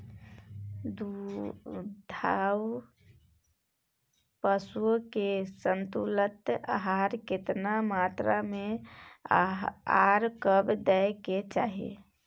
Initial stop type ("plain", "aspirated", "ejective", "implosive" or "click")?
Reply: plain